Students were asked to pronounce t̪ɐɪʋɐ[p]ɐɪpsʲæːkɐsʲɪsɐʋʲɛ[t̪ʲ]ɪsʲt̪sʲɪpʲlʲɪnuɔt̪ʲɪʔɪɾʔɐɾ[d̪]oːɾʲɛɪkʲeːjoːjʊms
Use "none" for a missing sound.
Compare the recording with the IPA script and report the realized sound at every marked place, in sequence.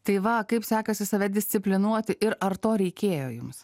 k, d̪ʲ, t̪

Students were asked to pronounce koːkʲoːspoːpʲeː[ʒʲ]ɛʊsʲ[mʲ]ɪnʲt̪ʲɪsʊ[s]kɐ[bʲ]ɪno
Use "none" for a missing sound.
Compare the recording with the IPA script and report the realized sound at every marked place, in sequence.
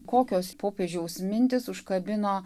ʒʲ, mʲ, ʃ, bʲ

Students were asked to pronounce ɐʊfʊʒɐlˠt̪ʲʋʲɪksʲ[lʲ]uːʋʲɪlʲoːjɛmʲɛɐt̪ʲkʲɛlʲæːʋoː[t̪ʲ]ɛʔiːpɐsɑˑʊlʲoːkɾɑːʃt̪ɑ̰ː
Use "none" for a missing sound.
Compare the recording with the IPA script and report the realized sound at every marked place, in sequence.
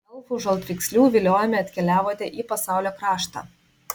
lʲ, t̪ʲ

